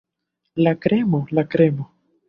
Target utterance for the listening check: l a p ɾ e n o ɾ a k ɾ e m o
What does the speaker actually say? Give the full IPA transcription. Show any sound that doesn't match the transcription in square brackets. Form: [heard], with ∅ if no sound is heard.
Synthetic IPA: l a [k] ɾ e [m] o [l] a k ɾ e m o